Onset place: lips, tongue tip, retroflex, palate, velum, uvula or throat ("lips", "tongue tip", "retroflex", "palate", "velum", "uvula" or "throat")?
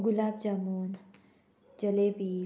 velum